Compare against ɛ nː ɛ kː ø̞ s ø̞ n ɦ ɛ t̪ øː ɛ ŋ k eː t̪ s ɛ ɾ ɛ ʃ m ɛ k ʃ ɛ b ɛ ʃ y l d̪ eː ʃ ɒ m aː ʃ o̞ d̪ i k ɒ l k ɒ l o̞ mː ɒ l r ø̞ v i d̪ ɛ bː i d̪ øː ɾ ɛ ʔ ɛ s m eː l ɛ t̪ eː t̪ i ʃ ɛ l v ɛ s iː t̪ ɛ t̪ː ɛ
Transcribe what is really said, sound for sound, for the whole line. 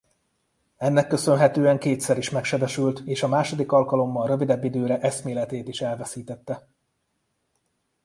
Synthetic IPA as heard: ɛ nː ɛ kː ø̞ s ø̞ n ɦ ɛ t̪ øː ɛ ŋ k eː t̪ s ɛ ɾ i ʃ m ɛ k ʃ ɛ b ɛ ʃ y l t̪ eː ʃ ɒ m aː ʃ o̞ d̪ i k ɒ l k ɒ l o̞ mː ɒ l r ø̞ v i d̪ ɛ bː i d̪ øː ɾ ɛ ʔ ɛ s m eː l ɛ t̪ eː t̪ i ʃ ɛ l v ɛ s iː t̪ ɛ t̪ː ɛ